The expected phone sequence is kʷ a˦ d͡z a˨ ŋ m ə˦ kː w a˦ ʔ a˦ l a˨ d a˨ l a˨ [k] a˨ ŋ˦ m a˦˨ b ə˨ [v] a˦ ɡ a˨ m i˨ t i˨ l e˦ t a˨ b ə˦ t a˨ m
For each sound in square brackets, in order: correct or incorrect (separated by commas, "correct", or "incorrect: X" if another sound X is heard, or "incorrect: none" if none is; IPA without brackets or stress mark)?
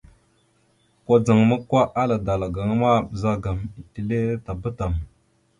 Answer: incorrect: ɡ, incorrect: z